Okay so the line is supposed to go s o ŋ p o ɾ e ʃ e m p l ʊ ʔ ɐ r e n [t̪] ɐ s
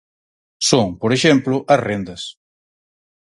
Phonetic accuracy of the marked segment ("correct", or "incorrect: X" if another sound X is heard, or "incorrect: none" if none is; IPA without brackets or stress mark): incorrect: d̪